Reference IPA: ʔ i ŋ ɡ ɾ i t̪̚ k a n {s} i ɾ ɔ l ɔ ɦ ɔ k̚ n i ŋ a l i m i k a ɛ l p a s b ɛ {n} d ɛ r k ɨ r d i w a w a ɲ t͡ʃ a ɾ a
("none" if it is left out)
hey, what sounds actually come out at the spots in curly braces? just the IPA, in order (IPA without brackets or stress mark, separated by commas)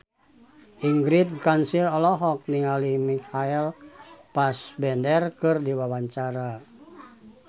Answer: s, n